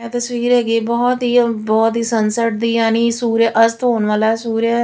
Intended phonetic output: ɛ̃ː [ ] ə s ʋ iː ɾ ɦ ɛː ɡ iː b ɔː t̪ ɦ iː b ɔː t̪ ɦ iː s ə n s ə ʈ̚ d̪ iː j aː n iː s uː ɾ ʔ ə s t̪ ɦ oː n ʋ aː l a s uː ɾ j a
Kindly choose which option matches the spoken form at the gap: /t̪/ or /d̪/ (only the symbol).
t̪